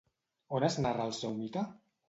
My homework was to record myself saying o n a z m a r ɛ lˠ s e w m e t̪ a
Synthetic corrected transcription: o n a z n a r a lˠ s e w m i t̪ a